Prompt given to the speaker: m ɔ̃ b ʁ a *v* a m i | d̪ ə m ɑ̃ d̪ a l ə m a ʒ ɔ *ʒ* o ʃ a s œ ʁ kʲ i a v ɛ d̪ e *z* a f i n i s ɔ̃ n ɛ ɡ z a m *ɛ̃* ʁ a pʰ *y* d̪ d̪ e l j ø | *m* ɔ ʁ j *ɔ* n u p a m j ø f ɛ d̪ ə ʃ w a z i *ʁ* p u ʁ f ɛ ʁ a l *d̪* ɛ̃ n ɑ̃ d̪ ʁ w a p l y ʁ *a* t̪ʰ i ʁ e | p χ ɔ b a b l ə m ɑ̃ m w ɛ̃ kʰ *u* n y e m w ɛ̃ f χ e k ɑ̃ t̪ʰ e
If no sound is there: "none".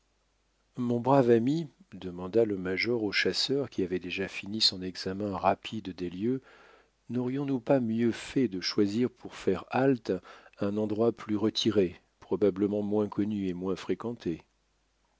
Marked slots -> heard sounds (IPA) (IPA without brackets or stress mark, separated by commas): v, ʁ, ʒ, ɛ̃, i, n, ɔ̃, ʁ, t̪, ə, ɔ